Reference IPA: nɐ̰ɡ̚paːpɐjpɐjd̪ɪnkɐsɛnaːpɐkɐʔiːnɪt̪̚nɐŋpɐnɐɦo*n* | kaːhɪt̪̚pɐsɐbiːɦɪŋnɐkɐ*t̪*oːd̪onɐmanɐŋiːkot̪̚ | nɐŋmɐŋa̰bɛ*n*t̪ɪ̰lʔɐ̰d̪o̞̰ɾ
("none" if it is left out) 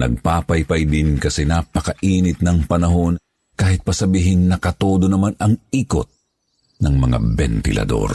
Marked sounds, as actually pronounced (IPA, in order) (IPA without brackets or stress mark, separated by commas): n, t̪, n